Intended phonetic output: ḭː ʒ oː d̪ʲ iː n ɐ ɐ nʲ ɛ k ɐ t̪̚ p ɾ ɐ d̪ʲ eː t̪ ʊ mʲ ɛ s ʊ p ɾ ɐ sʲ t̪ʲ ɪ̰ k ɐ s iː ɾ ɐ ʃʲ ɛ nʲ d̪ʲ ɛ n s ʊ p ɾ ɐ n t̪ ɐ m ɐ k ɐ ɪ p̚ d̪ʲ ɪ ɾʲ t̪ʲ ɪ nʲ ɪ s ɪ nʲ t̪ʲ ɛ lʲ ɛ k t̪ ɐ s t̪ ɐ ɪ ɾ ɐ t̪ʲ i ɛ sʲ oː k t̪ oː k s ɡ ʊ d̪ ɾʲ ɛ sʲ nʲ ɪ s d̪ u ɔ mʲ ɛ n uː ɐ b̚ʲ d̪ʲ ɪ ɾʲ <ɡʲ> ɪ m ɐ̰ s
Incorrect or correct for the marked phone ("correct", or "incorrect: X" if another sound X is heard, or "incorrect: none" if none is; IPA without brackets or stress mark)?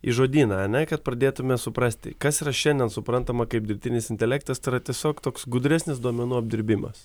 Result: incorrect: bʲ